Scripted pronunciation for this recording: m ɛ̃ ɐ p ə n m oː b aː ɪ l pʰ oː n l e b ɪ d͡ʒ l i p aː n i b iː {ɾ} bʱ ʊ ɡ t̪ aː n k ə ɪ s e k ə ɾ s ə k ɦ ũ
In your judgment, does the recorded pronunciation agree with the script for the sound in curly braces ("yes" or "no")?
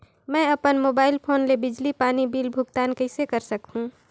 no